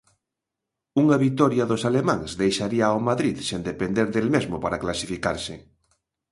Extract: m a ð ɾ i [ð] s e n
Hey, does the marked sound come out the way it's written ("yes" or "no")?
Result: yes